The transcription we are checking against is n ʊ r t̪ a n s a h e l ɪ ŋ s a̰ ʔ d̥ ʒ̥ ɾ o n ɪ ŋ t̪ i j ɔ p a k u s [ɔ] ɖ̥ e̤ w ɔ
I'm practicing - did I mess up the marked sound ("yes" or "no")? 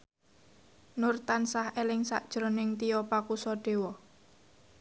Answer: no